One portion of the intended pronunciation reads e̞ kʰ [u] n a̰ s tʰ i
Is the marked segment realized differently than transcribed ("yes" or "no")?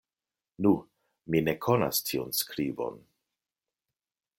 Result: yes